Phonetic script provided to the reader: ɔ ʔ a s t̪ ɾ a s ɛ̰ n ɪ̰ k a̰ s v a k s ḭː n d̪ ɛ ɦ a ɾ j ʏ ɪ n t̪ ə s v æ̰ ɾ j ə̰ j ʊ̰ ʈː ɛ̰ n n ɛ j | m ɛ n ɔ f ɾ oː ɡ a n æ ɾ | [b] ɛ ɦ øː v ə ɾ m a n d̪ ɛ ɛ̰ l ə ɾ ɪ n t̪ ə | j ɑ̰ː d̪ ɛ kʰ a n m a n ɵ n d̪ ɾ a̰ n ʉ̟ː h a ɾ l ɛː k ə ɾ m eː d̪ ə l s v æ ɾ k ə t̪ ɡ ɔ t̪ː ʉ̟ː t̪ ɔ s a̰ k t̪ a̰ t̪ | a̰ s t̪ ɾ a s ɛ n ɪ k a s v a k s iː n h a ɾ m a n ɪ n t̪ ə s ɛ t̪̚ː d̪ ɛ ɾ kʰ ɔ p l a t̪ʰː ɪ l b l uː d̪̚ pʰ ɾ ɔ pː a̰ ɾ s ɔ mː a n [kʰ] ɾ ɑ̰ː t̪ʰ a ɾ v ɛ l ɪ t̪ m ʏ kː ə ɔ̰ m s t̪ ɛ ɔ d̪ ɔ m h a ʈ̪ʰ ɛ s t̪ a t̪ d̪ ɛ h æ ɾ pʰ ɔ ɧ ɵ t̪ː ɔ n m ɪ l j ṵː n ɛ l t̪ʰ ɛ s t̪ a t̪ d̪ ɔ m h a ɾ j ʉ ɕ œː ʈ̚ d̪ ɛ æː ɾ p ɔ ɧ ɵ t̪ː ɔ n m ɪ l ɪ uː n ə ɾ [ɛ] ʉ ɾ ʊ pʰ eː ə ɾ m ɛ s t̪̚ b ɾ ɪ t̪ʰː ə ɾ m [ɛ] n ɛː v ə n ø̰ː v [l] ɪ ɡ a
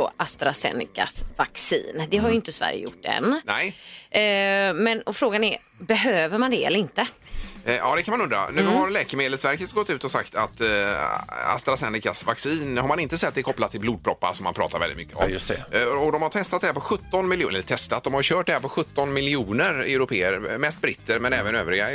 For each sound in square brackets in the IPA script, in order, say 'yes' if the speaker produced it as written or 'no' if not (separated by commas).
yes, no, yes, yes, no